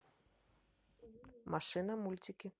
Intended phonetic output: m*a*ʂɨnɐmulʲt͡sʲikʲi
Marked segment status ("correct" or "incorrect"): correct